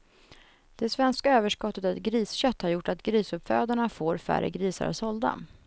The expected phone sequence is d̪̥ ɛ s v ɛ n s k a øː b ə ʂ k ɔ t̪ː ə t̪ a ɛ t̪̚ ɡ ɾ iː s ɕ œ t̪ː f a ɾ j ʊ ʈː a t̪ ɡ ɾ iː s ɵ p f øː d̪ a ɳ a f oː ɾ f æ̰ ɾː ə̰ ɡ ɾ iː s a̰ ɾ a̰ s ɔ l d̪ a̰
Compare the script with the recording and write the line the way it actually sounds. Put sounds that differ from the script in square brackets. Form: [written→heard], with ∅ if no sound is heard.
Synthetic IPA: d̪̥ ɛ s v ɛ n s k a øː [b→v] ə ʂ k ɔ t̪ː ə t̪ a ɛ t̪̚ ɡ ɾ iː s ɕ œ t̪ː [f→h] a ɾ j ʊ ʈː a t̪ ɡ ɾ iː s ɵ p f øː d̪ a ɳ a f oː ɾ f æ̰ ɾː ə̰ ɡ ɾ iː s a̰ ɾ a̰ s ɔ l d̪ a̰